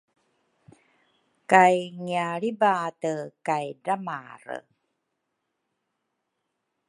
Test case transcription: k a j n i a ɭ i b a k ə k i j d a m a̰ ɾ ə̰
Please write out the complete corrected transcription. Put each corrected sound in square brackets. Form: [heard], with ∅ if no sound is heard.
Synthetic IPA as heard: k a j [ŋ] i a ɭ i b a [t] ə k [a] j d a m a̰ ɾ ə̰